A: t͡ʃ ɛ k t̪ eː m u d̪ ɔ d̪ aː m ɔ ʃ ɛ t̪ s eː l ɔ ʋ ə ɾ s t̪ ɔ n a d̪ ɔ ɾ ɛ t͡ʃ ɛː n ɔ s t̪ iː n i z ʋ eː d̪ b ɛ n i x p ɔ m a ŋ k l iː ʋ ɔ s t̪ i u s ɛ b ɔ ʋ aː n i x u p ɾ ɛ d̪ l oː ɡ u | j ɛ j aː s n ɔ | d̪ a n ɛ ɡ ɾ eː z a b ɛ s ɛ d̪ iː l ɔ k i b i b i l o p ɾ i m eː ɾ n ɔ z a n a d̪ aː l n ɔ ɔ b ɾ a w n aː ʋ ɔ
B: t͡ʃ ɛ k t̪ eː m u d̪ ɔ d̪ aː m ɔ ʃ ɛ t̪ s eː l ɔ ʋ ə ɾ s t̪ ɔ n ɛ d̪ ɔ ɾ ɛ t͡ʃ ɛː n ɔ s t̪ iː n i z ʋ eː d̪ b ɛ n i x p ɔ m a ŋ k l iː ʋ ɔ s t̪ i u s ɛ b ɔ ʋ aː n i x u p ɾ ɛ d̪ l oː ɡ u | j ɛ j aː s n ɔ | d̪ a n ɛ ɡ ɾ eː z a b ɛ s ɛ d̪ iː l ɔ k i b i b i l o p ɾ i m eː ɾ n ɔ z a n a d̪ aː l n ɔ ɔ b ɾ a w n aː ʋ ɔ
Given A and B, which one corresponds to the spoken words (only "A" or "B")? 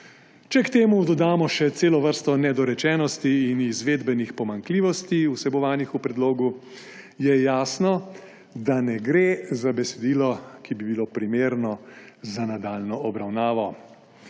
B